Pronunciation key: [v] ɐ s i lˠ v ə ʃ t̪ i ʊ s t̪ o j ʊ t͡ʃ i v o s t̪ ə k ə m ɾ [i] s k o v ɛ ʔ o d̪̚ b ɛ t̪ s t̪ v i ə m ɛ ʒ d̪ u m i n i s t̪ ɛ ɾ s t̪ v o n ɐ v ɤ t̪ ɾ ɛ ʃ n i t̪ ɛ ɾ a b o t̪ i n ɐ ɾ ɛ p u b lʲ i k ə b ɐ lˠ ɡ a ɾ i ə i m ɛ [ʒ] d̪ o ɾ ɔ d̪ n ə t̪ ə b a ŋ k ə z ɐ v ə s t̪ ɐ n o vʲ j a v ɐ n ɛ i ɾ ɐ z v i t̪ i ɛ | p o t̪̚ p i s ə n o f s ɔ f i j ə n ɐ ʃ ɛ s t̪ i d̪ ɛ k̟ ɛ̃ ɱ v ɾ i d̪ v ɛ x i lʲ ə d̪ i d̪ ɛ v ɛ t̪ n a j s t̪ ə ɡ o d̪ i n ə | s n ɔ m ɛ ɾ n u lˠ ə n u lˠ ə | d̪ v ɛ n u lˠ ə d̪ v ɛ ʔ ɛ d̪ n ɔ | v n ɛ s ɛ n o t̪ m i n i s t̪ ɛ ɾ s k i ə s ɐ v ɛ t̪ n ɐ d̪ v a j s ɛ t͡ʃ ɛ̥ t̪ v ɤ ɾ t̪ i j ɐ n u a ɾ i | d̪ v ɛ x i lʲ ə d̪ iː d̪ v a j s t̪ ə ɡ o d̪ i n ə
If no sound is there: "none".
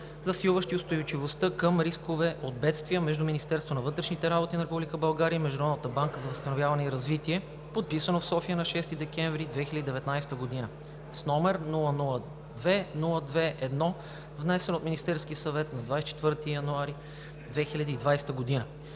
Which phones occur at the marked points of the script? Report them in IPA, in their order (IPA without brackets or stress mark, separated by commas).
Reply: z, i, ʒ